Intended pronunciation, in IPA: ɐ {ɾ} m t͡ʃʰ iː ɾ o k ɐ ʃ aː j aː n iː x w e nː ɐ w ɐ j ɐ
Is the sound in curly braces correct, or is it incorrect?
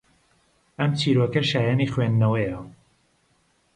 incorrect